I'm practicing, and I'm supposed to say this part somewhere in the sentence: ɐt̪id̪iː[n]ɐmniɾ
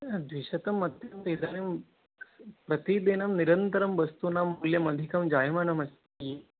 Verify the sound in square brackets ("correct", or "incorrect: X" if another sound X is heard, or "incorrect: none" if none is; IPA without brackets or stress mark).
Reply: correct